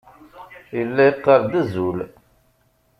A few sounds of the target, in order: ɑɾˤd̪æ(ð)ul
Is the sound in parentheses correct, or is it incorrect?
incorrect